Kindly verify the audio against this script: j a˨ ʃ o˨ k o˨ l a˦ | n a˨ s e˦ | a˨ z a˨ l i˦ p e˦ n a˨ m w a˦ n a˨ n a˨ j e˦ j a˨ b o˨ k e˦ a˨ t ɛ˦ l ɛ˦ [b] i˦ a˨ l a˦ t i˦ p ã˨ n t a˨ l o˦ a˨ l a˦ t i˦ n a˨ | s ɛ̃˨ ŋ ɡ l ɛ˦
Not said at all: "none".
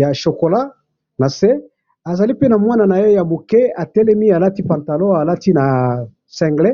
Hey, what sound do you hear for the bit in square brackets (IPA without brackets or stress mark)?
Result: m